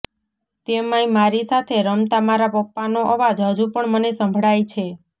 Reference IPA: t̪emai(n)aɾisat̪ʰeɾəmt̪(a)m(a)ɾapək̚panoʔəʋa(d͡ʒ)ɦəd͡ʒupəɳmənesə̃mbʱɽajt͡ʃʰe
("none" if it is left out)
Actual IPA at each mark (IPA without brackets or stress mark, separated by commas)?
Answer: m, a, a, d͡ʒ